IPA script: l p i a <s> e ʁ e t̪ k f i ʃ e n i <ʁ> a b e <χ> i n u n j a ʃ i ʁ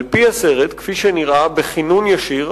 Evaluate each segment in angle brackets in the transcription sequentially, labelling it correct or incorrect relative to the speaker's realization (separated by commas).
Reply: correct, correct, correct